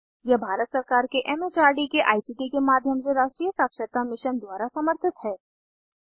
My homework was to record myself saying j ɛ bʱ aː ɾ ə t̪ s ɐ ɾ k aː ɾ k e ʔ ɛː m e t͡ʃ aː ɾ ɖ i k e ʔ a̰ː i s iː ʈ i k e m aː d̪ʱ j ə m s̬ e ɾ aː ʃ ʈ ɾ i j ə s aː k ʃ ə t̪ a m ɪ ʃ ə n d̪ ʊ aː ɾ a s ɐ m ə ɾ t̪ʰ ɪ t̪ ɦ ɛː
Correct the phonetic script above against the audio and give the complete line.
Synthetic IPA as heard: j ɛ bʱ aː ɾ ə t̪ s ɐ ɾ k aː ɾ k e ʔ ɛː m e t͡ʃ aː ɾ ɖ i k e ʔ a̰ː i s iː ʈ i k e m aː d̪ʱ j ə m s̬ e ɾ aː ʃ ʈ ɾ i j ə s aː k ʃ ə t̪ a m ɪ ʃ ə n d̪ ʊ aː ɾ a s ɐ m ə ɾ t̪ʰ ɪ t̪ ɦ ɛː